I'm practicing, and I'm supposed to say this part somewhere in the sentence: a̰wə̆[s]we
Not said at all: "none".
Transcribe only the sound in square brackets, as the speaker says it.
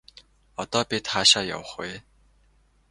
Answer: χ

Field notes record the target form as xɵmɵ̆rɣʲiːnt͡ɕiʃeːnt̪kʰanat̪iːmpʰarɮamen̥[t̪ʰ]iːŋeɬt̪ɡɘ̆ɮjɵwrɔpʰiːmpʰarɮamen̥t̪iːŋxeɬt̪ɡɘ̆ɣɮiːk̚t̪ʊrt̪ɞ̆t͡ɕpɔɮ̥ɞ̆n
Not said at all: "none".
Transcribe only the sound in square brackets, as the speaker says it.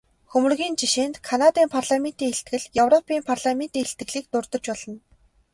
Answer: t̪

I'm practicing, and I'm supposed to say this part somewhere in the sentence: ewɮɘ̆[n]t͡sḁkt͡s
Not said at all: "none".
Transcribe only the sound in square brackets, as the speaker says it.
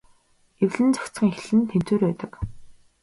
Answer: n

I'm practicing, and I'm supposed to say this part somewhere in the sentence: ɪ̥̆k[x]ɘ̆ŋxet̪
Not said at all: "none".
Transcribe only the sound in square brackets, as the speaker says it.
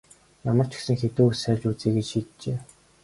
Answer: s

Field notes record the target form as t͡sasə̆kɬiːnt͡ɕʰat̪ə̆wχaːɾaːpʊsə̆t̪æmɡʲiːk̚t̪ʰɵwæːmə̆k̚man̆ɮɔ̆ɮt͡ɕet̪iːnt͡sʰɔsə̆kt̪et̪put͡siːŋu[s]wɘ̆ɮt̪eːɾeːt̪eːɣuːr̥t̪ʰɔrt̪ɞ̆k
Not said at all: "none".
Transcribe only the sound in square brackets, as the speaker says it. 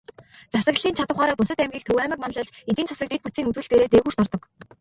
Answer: t͡s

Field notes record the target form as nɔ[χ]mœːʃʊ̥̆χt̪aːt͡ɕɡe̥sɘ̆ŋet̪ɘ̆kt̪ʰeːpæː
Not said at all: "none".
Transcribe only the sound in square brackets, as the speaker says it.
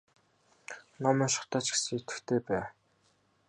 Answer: none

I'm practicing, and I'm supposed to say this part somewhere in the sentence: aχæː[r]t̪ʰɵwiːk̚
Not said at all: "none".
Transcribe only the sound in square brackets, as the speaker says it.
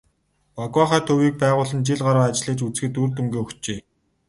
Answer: none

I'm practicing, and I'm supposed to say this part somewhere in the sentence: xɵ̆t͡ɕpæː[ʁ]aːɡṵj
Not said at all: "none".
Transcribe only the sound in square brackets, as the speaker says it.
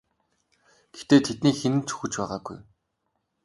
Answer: ʁ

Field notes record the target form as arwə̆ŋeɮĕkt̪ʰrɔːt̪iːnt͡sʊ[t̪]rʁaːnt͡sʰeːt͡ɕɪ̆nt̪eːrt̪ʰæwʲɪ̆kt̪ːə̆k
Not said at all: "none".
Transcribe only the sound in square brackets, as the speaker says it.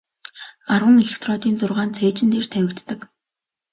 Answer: none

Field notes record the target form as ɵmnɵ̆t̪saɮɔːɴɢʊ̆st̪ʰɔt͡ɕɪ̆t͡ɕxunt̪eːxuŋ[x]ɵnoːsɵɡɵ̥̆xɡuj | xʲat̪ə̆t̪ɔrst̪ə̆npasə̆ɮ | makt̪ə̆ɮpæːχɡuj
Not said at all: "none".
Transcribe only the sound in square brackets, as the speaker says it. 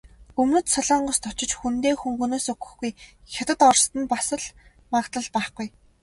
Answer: x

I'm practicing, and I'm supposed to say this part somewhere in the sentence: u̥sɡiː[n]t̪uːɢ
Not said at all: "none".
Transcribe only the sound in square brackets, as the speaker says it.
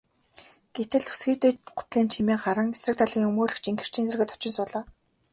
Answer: none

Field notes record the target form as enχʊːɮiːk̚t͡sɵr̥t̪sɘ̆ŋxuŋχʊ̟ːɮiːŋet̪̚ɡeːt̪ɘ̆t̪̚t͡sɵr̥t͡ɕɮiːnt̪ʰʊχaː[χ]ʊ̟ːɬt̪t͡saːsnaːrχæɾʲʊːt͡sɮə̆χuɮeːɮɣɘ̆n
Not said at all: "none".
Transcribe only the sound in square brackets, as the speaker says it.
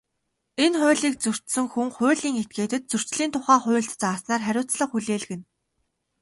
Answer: χ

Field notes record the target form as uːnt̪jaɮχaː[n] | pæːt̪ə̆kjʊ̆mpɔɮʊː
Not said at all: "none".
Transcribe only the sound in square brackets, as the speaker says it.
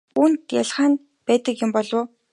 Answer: n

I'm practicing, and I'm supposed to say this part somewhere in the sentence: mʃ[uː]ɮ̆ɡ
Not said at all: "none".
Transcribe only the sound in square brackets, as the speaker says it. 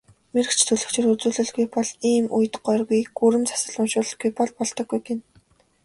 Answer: ʊː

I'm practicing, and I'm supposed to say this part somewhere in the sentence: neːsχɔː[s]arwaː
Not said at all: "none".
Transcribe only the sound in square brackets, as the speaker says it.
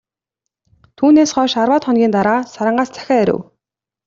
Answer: ʃ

